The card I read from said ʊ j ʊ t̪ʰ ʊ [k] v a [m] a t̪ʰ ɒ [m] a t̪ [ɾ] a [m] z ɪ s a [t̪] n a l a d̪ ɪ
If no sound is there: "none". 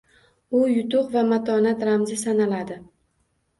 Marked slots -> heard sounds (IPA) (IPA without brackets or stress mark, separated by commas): q, m, n, ɾ, m, none